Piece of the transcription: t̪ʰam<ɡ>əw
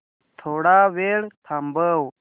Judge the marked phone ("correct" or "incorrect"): incorrect